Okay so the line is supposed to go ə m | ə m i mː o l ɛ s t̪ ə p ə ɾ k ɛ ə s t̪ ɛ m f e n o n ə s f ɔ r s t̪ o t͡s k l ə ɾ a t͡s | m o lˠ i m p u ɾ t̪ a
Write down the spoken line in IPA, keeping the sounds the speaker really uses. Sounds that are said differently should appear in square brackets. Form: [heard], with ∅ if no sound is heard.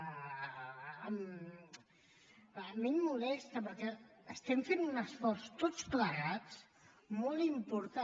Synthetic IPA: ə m | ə m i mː [u] l ɛ s t̪ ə p ə ɾ k ɛ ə s t̪ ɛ m f e n [u] n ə s f ɔ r s t̪ o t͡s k l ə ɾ a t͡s | m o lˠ i m p u ɾ t̪ a

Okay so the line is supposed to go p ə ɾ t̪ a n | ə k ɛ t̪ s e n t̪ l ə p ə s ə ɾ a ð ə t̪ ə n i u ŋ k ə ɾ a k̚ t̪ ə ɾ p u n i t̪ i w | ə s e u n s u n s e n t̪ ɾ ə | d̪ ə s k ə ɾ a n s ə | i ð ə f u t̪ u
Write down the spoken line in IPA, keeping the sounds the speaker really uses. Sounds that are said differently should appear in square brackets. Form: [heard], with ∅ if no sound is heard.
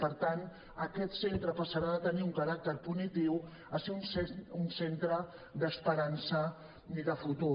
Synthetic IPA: p ə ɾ t̪ a n | ə k ɛ t̪ s e n t̪ [ɾ] ə p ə s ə ɾ a ð ə t̪ ə n i u ŋ k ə ɾ a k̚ t̪ ə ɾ p u n i t̪ i w | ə s e u n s u n s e n t̪ ɾ ə | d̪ ə s [p] ə ɾ a n s ə | i ð ə f u t̪ u

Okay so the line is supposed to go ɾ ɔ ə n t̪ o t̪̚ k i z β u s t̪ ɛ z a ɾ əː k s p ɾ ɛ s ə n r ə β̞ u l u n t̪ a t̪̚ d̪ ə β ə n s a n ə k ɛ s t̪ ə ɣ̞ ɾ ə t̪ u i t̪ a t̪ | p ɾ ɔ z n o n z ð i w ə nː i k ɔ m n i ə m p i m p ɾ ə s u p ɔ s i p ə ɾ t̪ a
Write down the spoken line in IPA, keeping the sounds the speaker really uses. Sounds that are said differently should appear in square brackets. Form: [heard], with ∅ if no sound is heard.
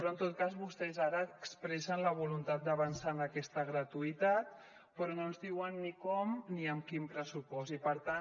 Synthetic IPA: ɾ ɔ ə n t̪ o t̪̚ k [a] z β u s t̪ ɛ z a ɾ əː k s p ɾ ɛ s ə n [l] ə β̞ u l u n t̪ a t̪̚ d̪ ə β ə n s a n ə k ɛ s t̪ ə ɣ̞ ɾ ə t̪ u i t̪ a t̪ | p ɾ ɔ [∅] n o n z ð i w ə nː i k ɔ m n i ə m [k] i m p ɾ ə s u p ɔ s i p ə ɾ t̪ a

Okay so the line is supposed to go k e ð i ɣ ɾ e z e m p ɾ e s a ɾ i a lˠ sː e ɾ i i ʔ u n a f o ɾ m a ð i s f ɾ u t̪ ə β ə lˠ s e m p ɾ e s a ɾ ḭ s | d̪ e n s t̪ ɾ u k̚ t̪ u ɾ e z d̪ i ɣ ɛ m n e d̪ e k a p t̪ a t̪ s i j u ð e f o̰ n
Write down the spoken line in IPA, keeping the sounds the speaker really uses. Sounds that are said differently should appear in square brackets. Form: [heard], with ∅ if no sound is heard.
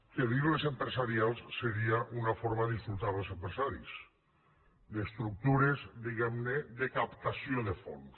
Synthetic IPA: k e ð i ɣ [l] e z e m p ɾ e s a ɾ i a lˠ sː e ɾ i [a] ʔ u n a f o ɾ m a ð i s f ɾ u t̪ [a] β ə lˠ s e m p ɾ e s a ɾ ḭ s | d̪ e [∅] s t̪ ɾ u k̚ t̪ u ɾ e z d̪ i ɣ ɛ m n e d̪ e k a p t̪ a [∅] s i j [o] ð e f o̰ n

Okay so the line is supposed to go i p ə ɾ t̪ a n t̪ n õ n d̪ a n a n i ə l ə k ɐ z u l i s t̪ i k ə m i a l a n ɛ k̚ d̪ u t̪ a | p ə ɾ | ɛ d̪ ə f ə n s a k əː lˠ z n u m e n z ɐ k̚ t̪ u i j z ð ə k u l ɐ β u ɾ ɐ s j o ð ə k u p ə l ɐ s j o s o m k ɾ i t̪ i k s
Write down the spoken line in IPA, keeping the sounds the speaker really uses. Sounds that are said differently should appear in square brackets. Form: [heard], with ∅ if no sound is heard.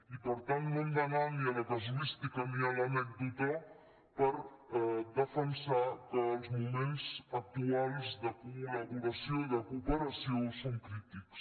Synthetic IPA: i p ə ɾ t̪ a n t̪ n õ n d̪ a n a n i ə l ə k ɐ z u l i s t̪ i k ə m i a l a n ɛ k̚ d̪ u t̪ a | p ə ɾ | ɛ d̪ ə f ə n s a k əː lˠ z [m] u m e n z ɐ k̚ t̪ u [a] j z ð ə k u l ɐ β u ɾ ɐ s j o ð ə k u p ə [ɾ] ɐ s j o s o [ŋ] k ɾ i t̪ i k s

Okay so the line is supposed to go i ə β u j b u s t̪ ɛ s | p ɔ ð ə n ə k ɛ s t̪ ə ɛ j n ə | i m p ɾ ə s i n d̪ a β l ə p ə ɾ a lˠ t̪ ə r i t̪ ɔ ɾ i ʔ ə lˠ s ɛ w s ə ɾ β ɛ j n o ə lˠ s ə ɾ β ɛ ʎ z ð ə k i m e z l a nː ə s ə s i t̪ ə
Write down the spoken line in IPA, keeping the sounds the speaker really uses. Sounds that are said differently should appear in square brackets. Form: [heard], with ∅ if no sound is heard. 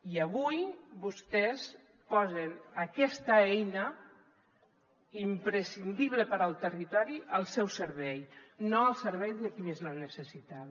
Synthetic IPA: i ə β u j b u s t̪ ɛ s | p ɔ [z] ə n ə k ɛ s t̪ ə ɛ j n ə | i m p ɾ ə s i n d̪ [i] β l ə p ə ɾ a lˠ t̪ ə r i t̪ ɔ ɾ i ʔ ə lˠ s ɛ w s ə ɾ β ɛ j n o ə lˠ s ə ɾ β ɛ [j] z ð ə k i m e z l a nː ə s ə s i t̪ [a]

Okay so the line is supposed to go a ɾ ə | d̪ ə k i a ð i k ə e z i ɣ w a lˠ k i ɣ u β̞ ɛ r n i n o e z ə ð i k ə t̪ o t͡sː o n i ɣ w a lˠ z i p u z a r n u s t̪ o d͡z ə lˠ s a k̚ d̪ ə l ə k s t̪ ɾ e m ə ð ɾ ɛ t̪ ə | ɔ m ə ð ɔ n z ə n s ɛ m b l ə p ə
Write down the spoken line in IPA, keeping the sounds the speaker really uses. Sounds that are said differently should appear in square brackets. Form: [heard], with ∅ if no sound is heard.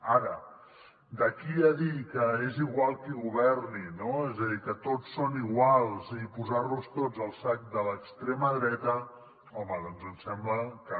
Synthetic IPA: a ɾ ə | d̪ ə k i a ð i k ə e z i ɣ w a lˠ k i ɣ u β̞ ɛ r n i n o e z ə ð i k ə t̪ o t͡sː o n i ɣ w a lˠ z i p u z a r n u s t̪ o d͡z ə lˠ s a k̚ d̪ ə l ə k s t̪ ɾ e m ə ð ɾ ɛ t̪ ə | ɔ m ə ð ɔ n z ə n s ɛ m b l ə [k] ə

